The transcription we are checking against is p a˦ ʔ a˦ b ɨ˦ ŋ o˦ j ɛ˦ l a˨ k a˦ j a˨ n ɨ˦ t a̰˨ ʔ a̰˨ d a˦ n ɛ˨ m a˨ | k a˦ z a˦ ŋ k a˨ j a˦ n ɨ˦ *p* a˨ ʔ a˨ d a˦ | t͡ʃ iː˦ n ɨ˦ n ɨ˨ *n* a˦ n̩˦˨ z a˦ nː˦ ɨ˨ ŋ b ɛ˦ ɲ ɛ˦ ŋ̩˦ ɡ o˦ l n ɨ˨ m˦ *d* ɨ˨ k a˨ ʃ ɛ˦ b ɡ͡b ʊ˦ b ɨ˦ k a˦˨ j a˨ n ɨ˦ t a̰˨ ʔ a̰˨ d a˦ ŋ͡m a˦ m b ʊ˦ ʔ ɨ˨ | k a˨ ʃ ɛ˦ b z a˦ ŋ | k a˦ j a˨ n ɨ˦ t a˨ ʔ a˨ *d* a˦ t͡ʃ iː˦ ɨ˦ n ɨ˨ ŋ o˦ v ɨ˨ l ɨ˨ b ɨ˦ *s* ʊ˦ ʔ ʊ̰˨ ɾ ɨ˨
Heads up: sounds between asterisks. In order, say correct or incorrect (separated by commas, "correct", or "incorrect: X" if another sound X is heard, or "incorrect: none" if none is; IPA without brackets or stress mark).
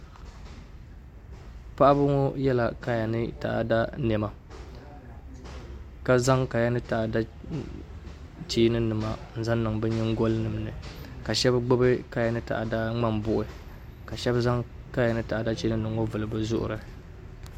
incorrect: t, incorrect: m, incorrect: n, correct, incorrect: z